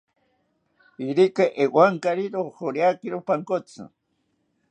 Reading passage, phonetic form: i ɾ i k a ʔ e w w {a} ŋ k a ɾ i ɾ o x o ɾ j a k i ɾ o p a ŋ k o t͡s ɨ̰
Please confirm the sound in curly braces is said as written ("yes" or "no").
yes